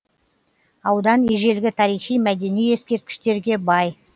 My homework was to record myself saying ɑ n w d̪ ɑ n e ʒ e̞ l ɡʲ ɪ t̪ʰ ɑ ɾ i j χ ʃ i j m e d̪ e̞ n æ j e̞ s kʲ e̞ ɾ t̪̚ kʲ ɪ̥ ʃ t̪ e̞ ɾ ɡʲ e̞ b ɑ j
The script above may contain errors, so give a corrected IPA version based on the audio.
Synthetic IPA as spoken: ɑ w d̪ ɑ n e ʒ e̞ l ɡʲ ɪ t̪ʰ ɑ ɾ i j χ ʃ i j m æ d̪ e̞ n i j e̞ s kʲ e̞ ɾ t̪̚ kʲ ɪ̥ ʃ t̪ e̞ ɾ ɡʲ e̞ b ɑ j